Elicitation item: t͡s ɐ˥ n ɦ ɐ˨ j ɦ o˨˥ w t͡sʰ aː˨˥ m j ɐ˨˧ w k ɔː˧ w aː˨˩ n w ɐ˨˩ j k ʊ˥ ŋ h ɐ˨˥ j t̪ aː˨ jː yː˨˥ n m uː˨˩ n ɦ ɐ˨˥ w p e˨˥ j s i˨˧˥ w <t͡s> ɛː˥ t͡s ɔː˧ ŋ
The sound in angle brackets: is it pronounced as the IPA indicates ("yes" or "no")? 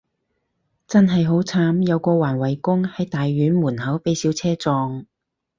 no